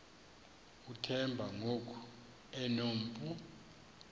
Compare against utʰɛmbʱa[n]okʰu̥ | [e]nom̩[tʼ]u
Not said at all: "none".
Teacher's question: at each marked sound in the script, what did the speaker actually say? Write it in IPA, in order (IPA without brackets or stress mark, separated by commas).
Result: ŋ, ɛ, pʼ